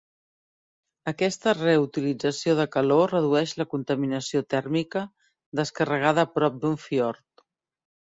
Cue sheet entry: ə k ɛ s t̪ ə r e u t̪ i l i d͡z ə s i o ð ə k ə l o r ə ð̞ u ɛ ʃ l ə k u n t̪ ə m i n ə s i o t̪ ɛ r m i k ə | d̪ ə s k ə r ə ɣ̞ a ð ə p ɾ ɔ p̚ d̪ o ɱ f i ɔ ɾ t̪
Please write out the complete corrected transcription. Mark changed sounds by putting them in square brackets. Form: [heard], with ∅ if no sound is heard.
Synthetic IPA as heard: ə k ɛ s t̪ ə r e u t̪ i l i d͡z ə s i o ð ə k ə l o r ə ð̞ u ɛ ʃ l ə k u n t̪ ə m i n ə s i o t̪ ɛ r m i k ə | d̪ ə s k ə r ə ɣ̞ a ð ə p ɾ ɔ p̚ d̪ [u] ɱ f i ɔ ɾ t̪